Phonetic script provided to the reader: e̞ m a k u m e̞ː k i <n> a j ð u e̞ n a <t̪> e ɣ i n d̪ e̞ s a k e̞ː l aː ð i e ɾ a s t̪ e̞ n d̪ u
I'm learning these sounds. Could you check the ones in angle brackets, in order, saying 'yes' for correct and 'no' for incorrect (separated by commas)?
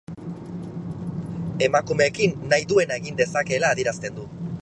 no, no